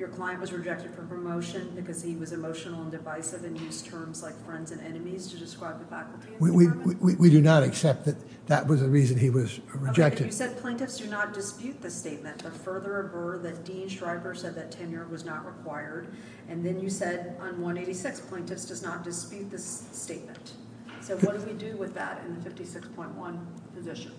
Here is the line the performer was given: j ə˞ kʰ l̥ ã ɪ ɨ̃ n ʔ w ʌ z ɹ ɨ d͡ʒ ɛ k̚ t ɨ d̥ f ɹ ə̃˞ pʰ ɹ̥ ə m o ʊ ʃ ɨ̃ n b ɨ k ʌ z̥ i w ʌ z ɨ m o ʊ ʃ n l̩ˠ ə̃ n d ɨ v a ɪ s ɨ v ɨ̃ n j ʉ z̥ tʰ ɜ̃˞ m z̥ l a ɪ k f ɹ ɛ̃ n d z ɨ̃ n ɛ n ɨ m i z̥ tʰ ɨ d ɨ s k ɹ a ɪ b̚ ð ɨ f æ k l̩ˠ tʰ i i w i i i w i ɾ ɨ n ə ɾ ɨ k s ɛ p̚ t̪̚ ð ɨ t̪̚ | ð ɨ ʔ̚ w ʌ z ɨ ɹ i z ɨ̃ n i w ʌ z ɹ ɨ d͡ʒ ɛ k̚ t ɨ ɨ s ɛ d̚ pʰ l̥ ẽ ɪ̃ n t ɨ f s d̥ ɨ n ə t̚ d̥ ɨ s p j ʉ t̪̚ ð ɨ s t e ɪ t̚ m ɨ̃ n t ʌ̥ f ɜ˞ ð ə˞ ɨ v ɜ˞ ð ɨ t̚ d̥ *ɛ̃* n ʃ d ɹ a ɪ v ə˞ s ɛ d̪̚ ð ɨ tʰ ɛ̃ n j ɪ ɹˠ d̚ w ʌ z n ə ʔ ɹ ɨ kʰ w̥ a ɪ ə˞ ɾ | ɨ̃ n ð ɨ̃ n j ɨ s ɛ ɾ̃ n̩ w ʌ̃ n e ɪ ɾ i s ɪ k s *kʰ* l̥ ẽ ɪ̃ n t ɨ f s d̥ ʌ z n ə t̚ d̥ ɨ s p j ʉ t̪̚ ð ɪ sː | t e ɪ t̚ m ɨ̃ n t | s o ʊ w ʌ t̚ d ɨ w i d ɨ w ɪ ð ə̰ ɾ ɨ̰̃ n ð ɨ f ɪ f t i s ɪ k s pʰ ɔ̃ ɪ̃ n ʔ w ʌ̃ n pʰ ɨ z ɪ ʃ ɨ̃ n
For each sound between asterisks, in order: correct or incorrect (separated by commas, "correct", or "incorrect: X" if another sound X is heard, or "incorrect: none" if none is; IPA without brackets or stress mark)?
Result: incorrect: ĩ, incorrect: pʰ